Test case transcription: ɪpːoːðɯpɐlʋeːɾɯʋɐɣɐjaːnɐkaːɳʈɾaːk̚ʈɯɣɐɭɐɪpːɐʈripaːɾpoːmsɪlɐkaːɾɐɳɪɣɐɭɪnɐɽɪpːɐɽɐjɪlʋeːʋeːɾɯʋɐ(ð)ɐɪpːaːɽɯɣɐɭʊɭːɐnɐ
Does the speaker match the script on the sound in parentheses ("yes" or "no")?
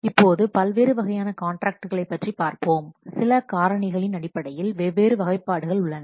no